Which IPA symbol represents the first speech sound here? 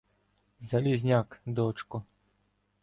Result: z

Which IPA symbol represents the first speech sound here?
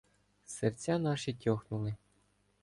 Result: s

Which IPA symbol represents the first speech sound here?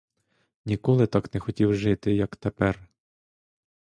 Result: nʲ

